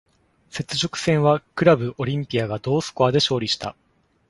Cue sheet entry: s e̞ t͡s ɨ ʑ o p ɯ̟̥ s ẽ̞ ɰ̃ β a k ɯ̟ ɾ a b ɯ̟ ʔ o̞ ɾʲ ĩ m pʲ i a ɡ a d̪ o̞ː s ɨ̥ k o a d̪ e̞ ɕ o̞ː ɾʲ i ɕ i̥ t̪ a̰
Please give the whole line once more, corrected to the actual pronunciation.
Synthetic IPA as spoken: s e̞ t͡s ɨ ʑ o k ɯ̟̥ s ẽ̞ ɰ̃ β a k ɯ̟ ɾ a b ɯ̟ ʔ o̞ ɾʲ ĩ m pʲ i a ɡ a d̪ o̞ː s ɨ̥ k o a d̪ e̞ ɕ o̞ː ɾʲ i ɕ i̥ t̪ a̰

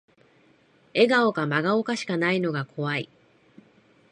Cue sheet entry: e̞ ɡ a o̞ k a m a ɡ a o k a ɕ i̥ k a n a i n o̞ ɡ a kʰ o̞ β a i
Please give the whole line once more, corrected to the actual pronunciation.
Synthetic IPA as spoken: e̞ ɡ a o̞ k a m a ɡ a o k a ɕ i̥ k a n a i n o̞ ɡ a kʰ o̞ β a i

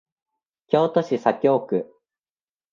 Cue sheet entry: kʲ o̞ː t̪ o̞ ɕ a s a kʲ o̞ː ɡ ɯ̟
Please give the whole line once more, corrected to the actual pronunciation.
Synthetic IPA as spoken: kʲ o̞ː t̪ o̞ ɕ i s a kʲ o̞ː k ɯ̟

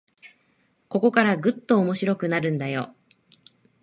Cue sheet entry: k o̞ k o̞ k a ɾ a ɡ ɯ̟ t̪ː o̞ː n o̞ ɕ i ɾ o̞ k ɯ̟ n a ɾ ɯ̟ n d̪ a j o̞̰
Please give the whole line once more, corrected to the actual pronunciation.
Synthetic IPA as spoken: k o̞ k o̞ k a ɾ a ɡ ɯ̟ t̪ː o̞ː m o̞ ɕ i ɾ o̞ k ɯ̟ n a ɾ ɯ̟̃ n d̪ a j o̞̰

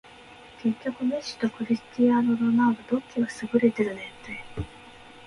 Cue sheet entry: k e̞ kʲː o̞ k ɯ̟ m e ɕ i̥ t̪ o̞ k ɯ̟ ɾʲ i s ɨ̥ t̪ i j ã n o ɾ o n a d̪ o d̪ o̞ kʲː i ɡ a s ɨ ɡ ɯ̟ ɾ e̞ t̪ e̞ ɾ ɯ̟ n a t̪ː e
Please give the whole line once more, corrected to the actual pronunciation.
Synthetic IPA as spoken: k e̞ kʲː o̞ k ɯ̟ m e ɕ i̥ t̪ o̞ k ɯ̟ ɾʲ i s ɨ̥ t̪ i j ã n o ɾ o n a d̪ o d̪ o̞ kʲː i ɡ a s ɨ ɡ ɯ̟ ɾ e̞ t̪ e̞ ɾ ɯ̟ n e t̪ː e

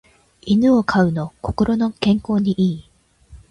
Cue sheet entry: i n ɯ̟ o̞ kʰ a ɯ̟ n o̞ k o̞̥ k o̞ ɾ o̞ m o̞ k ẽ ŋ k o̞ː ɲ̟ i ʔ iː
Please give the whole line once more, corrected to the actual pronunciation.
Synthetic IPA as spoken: i n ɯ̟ o̞ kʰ a ɯ̟ n o̞ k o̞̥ k o̞ ɾ o̞ n o̞ k ẽ ŋ k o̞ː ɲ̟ i ʔ iː

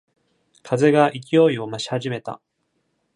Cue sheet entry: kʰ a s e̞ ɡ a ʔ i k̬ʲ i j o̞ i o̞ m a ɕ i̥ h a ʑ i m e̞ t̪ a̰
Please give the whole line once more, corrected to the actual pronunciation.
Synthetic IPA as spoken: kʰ a z e̞ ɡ a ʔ i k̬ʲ i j o̞ i o̞ m a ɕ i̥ h a ʑ i m e̞ t̪ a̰

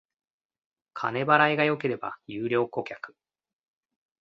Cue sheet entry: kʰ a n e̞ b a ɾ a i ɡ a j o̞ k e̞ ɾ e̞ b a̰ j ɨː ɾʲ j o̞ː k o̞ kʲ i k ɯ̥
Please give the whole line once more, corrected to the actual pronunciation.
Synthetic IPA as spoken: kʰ a n e̞ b a ɾ a i ɡ a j o̞ k e̞ ɾ e̞ b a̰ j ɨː ɾʲ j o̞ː k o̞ kʲ a k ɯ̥

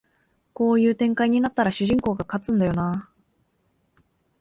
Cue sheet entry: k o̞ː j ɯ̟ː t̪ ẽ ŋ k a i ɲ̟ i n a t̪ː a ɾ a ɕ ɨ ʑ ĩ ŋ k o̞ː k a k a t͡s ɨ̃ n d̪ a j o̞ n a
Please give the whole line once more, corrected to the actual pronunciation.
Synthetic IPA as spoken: k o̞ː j ɯ̟ː t̪ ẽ ŋ k a i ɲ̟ i n a t̪ː a ɾ a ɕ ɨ ʑ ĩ ŋ k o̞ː ɡ a k a t͡s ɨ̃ n d̪ a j o̞ n a

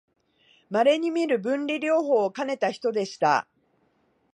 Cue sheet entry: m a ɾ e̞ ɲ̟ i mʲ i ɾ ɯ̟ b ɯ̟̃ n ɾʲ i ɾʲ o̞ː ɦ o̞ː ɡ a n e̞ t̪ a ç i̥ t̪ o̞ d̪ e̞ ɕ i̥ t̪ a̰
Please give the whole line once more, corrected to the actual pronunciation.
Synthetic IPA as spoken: m a ɾ e̞ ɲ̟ i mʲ i ɾ ɯ̟ b ɯ̟̃ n ɾʲ i ɾʲ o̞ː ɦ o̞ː k a n e̞ t̪ a ç i̥ t̪ o̞ d̪ e̞ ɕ i̥ t̪ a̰

